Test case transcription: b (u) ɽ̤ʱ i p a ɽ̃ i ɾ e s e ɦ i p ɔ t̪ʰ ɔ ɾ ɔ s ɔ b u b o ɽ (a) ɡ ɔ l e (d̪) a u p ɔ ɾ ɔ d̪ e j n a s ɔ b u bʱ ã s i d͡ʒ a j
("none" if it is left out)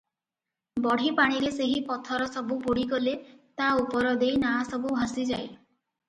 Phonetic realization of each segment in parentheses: ɔ, i, t̪

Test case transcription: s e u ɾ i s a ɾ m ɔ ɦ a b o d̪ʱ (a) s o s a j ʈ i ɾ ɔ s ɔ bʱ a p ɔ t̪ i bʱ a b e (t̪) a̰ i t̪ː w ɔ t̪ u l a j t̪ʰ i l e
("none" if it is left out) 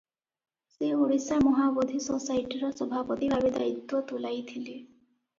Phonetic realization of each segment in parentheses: i, d̪

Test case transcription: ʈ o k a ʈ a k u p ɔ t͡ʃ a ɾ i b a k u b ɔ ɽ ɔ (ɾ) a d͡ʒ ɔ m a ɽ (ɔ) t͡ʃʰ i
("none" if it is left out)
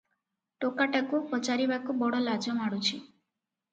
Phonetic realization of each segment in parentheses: l, u

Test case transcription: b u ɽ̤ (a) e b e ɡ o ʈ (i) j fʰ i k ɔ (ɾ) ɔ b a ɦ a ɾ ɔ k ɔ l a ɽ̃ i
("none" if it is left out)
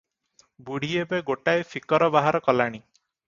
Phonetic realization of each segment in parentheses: i, a, ɾ

